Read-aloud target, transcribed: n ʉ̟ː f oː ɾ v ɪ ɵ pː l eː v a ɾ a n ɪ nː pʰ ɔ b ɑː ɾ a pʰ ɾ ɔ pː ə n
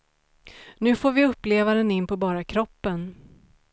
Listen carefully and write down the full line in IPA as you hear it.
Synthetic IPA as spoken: n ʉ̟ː f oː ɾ v ɪ ɵ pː l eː v a ɾ ə n ɪ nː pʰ ɔ b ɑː ɾ a kʰ ɾ ɔ pː ə n